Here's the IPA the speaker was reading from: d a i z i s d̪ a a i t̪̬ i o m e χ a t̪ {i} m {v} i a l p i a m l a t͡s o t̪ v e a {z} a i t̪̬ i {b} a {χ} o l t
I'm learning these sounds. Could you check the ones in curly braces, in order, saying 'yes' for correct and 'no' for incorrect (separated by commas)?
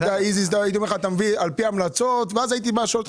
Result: no, yes, yes, yes, no